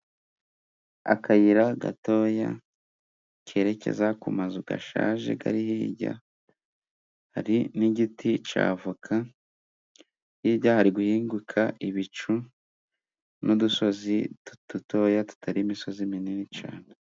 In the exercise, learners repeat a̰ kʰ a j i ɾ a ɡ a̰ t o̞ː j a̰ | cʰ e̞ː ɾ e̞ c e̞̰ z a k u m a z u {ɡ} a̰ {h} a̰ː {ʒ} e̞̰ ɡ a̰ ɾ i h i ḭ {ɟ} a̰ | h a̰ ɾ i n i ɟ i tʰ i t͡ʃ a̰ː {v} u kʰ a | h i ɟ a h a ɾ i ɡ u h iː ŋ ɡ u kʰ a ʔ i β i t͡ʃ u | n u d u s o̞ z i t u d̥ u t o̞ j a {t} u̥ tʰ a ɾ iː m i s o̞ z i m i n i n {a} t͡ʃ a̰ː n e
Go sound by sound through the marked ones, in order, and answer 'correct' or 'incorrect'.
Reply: correct, incorrect: ʃ, correct, correct, correct, correct, incorrect: i

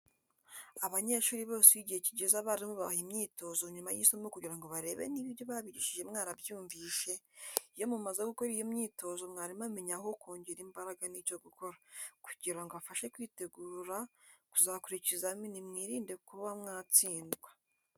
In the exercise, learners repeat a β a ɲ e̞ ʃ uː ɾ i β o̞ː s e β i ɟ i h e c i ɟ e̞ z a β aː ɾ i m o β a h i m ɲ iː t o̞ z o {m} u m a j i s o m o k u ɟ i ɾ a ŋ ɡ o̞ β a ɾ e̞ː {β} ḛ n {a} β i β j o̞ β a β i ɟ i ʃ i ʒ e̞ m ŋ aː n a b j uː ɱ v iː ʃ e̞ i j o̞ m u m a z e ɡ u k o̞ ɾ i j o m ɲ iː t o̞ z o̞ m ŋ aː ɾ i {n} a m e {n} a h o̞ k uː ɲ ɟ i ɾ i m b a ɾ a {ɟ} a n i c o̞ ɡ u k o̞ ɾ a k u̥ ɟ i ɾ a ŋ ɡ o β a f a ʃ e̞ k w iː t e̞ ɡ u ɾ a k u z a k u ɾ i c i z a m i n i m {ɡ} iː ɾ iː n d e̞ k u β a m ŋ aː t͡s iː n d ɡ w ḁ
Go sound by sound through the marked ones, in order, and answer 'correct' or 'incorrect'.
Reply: incorrect: ɲ, correct, incorrect: i, incorrect: m, incorrect: ɲ, incorrect: ɡ, incorrect: ŋ

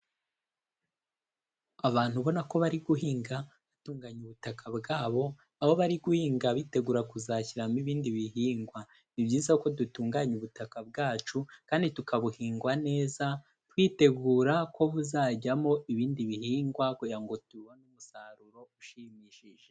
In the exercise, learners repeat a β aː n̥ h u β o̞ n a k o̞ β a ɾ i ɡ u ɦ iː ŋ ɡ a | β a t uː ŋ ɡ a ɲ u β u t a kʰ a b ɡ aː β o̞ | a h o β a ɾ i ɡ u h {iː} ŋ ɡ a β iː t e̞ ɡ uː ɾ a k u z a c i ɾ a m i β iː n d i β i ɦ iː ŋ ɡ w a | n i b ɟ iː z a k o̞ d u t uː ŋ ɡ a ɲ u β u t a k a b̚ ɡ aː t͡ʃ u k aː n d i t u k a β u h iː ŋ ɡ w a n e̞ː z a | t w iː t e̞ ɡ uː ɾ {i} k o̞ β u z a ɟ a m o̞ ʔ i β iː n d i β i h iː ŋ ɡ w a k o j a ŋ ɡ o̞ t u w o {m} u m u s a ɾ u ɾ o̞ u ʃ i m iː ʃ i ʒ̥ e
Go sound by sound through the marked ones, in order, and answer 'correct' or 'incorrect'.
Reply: correct, incorrect: a, incorrect: n

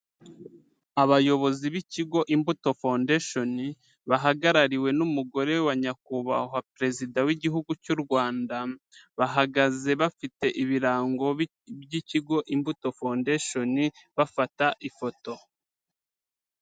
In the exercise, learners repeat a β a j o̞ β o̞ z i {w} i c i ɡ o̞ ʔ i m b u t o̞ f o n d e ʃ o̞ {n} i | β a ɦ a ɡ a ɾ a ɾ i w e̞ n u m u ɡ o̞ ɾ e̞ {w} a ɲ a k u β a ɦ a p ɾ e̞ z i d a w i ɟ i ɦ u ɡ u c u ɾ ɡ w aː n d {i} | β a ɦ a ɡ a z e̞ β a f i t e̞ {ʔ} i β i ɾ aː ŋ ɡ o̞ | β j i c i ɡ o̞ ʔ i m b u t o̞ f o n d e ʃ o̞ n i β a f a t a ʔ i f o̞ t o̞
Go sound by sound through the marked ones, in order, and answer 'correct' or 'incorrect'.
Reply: incorrect: β, correct, correct, incorrect: a, correct

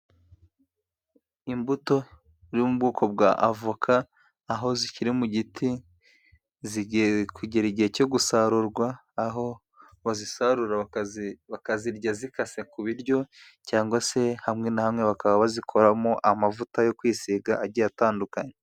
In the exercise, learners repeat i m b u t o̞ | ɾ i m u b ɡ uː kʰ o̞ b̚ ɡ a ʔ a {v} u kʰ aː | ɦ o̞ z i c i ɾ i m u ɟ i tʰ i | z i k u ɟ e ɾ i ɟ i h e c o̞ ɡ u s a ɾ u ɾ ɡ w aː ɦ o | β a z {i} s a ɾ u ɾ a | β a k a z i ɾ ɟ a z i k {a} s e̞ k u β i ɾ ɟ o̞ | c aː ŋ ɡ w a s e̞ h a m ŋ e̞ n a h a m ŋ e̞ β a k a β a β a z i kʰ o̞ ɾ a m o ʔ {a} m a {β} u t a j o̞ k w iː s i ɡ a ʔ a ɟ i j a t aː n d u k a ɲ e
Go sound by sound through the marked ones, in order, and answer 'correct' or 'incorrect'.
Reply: correct, correct, correct, correct, incorrect: v

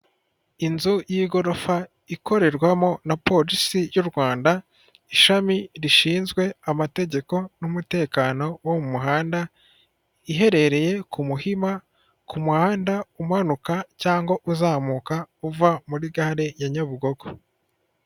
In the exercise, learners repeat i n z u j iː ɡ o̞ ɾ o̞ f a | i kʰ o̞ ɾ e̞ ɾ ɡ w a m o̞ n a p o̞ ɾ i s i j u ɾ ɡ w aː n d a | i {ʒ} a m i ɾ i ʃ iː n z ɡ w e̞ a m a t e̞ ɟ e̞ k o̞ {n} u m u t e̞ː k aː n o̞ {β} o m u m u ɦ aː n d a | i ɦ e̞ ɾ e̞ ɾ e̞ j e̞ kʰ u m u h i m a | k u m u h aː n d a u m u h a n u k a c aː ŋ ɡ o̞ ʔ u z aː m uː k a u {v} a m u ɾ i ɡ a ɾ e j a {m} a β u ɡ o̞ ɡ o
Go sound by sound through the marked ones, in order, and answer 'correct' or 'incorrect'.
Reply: incorrect: ʃ, correct, incorrect: w, correct, incorrect: ɲ

